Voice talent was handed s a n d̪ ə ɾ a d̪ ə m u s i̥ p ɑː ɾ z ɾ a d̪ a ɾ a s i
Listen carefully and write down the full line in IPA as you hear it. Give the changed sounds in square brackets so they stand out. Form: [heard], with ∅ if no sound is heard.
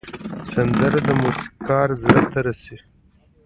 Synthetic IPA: s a n d̪ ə ɾ a d̪ ə m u s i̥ [k] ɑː ɾ z ɾ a [t̪] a ɾ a s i